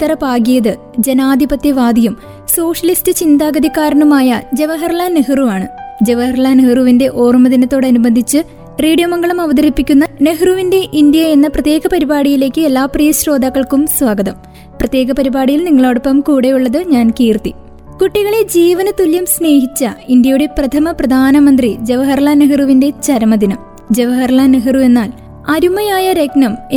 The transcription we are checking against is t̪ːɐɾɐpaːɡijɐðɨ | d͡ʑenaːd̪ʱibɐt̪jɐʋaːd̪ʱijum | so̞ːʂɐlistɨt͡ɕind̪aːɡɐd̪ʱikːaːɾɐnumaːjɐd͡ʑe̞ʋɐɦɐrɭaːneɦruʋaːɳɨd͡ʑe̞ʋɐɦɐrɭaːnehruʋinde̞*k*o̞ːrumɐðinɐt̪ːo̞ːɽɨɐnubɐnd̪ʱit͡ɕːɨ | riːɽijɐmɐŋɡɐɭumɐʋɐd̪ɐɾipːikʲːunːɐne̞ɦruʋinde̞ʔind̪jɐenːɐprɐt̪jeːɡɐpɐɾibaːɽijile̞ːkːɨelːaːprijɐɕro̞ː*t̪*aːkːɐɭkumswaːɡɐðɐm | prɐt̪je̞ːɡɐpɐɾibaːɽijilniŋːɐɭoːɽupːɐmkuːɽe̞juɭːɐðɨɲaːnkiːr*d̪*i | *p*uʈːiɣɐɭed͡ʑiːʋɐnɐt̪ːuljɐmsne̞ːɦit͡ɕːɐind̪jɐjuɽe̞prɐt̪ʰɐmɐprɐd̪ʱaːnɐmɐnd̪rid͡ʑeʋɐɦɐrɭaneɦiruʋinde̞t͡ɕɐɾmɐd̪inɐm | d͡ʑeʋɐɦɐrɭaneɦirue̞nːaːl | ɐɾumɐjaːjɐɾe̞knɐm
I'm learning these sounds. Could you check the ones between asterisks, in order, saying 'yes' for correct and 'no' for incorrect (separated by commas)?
no, no, no, no